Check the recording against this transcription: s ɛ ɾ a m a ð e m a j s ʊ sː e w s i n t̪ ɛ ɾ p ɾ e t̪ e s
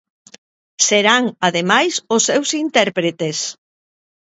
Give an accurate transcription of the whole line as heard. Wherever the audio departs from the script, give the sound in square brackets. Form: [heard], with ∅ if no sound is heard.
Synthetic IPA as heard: s [e] ɾ a [ŋ] a ð e m a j s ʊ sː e w s i n t̪ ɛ ɾ p ɾ e t̪ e s